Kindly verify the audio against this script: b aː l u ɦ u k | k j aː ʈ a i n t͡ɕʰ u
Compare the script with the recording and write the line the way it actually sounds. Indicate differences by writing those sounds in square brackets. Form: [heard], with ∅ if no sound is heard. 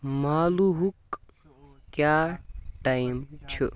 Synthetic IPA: [m] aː l u ɦ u k | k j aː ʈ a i [m] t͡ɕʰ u